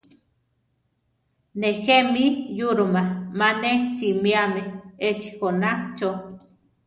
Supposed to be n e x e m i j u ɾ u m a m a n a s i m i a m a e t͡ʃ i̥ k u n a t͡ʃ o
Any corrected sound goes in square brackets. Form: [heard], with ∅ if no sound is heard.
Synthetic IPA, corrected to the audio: n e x e m i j u ɾ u m a m a n [e] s i m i a m [e] e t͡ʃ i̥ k [o] n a t͡ʃ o